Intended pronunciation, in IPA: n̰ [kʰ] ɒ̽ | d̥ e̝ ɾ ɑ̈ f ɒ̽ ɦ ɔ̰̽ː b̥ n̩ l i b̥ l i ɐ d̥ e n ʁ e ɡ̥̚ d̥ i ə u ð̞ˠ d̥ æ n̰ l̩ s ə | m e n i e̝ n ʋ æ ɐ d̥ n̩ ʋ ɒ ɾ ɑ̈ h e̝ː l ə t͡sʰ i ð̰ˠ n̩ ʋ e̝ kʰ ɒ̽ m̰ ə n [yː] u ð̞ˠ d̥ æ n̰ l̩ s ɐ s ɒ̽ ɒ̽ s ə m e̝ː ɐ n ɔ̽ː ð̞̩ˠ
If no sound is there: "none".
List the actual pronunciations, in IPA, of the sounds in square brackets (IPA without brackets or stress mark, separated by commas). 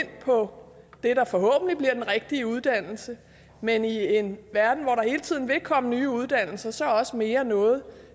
pʰ, yː